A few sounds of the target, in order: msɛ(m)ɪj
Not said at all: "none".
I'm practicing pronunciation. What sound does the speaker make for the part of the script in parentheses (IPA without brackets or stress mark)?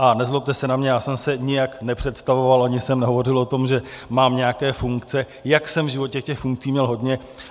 ɲ